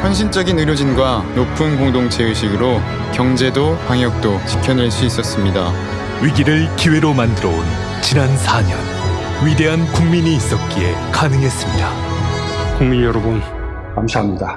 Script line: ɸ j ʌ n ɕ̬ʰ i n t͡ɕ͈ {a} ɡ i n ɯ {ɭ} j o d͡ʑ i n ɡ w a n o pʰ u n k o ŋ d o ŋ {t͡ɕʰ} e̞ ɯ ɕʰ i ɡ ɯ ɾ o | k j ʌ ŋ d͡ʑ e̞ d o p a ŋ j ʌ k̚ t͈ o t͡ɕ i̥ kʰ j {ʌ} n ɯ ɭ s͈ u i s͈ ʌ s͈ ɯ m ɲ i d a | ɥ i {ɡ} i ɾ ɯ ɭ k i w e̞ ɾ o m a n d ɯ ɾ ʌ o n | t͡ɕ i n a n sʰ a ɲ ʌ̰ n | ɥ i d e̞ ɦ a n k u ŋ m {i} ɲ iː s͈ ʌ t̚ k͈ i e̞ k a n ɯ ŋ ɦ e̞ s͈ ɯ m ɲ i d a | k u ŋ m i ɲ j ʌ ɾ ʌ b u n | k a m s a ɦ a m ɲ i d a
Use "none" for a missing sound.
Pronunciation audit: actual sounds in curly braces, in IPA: ʌ, ɾ, t͡ɕʰ, ʌ, ɡ, i

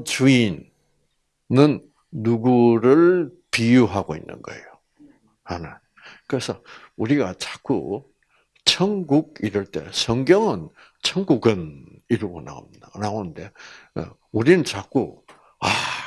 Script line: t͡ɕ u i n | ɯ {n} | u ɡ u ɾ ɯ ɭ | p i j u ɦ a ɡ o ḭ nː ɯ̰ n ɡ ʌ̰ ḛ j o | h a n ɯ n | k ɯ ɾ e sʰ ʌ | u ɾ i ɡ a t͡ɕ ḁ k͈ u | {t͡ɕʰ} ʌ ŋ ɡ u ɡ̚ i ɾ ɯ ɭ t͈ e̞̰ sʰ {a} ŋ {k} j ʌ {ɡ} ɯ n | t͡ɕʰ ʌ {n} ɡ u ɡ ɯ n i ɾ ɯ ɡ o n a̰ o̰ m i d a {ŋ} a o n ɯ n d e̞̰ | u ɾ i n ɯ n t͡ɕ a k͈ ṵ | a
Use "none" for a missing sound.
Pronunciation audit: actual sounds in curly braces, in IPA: nː, t͡ɕʰ, ʌ, ɡ, ŋ, ŋ, n

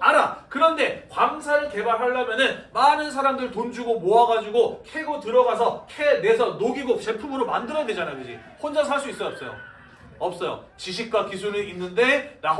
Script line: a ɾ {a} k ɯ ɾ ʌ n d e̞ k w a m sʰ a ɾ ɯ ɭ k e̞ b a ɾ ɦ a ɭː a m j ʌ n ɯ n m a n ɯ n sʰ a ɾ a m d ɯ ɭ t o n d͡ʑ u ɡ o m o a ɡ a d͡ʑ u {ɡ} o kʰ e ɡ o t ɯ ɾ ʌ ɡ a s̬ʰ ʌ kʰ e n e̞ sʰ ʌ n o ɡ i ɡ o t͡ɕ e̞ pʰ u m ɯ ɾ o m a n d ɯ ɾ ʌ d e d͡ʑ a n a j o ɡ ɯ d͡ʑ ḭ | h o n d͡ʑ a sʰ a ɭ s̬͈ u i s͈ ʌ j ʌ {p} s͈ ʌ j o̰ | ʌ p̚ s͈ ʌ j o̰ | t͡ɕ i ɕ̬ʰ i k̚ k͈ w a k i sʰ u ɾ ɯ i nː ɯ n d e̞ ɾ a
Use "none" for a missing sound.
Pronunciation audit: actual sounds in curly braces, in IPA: a, ɡ, p

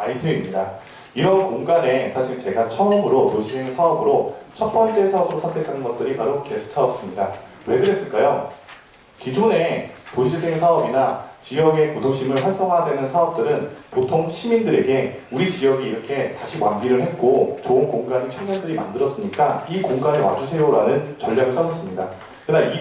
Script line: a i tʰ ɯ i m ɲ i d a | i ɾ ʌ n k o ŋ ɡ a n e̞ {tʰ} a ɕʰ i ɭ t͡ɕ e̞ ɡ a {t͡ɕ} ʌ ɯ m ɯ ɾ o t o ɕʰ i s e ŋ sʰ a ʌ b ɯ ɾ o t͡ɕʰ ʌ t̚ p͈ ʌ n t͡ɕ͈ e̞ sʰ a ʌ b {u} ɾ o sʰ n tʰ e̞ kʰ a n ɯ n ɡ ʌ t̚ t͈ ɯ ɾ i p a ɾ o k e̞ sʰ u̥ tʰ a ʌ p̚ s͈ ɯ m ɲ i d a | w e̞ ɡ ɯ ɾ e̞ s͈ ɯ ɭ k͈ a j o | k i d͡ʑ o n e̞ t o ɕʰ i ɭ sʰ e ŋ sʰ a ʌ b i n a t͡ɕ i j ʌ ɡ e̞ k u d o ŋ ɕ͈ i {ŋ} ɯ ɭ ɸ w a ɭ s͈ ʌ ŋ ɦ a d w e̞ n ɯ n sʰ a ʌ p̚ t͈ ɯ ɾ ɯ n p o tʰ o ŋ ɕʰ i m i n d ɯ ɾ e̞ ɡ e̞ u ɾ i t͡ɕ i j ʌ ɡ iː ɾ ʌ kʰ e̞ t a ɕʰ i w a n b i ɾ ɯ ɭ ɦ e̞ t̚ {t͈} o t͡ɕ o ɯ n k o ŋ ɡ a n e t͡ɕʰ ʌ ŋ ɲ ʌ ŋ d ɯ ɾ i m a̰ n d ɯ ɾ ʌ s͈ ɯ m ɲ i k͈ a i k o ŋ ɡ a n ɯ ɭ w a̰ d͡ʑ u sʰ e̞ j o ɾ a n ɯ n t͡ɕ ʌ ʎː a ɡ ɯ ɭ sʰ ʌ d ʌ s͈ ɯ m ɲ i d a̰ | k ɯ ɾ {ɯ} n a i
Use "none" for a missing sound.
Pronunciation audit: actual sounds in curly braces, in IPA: sʰ, t͡ɕʰ, ɯ, m, k͈, ɯ

